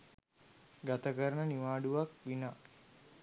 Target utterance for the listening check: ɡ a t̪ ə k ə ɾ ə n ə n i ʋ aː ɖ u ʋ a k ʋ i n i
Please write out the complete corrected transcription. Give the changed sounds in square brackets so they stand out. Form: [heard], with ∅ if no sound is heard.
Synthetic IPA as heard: ɡ a t̪ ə k ə ɾ ə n ə n i ʋ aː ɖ u ʋ a k ʋ i n [a]